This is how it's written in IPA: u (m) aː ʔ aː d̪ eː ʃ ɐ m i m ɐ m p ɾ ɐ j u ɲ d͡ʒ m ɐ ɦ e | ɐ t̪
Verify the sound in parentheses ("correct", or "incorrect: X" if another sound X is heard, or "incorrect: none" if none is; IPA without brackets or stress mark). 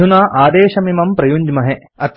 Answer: incorrect: n